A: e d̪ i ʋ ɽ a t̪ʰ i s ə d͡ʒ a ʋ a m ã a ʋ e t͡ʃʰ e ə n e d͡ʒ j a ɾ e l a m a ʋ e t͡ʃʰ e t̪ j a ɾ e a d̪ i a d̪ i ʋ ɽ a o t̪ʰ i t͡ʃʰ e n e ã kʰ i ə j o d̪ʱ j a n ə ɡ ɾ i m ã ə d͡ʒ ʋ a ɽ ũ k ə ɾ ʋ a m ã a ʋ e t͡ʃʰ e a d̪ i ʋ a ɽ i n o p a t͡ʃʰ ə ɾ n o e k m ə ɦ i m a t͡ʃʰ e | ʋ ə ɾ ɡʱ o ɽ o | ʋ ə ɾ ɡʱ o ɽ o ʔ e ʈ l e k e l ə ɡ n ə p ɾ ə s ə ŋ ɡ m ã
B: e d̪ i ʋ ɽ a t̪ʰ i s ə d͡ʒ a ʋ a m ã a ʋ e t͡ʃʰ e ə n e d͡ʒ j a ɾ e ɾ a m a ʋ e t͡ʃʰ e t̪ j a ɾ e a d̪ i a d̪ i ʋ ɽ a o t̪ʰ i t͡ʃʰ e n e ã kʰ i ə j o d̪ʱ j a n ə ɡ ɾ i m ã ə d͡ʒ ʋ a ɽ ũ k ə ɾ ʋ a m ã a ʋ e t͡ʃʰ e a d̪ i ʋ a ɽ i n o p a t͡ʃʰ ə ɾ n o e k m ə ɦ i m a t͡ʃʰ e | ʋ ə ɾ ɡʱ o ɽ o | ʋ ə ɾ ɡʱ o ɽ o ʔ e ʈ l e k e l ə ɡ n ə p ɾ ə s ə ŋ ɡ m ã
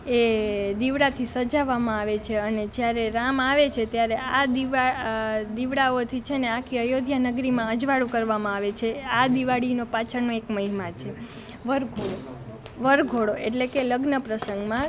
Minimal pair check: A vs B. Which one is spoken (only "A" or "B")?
B